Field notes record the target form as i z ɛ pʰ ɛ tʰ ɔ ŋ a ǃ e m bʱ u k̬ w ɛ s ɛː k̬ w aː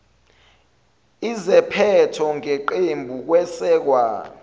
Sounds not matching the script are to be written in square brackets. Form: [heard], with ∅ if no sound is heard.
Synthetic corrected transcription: i z ɛ pʰ ɛ tʰ ɔ ŋ [e] ǃ e m bʱ u k̬ w ɛ s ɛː k̬ w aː